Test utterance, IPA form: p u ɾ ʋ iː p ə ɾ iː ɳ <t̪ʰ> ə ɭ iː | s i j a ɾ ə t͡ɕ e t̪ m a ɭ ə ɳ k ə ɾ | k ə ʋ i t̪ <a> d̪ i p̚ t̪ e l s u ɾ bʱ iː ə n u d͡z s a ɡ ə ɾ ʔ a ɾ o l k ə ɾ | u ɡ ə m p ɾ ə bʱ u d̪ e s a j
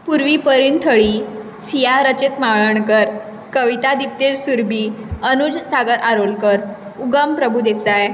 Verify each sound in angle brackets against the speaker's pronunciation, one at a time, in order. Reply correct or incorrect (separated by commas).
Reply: correct, correct